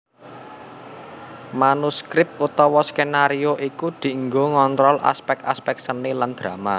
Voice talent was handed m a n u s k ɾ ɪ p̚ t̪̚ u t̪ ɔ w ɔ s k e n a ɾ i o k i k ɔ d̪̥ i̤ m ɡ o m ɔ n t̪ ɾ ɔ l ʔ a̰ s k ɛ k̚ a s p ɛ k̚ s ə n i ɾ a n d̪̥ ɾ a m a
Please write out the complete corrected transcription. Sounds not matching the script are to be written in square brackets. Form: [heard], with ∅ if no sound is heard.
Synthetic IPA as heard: m a n u s k ɾ ɪ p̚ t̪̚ u t̪ ɔ w ɔ s k e n a ɾ i o [ʔ] i k [u] d̪̥ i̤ [ŋ] ɡ o [ŋ] ɔ n t̪ ɾ ɔ l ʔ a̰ s [p] ɛ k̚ a s p ɛ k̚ s ə n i [l] a n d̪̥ ɾ a m a